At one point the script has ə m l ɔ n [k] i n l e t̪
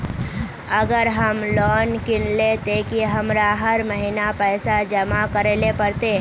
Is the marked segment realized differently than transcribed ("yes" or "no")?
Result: no